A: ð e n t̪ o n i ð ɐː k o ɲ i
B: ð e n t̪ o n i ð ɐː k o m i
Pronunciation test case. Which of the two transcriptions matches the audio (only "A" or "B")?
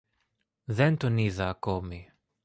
B